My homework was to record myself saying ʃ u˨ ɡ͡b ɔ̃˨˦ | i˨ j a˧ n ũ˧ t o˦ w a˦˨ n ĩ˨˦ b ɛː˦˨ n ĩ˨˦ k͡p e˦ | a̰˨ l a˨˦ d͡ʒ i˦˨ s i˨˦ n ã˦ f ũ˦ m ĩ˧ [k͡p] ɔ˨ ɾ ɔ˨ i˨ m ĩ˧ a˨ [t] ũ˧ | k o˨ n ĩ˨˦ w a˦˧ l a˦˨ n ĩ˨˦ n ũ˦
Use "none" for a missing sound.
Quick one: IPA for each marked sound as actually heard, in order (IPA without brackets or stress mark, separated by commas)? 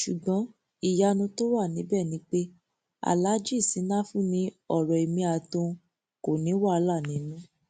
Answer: none, t